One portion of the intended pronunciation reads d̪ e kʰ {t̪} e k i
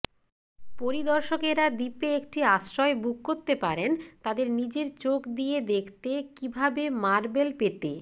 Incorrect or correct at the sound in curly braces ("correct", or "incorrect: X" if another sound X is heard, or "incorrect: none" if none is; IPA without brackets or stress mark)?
correct